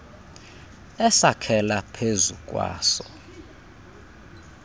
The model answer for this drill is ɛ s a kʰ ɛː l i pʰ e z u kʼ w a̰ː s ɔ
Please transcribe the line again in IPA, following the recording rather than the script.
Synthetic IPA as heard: ɛ s a kʰ ɛ l a pʰ e z u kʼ w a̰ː s ɔ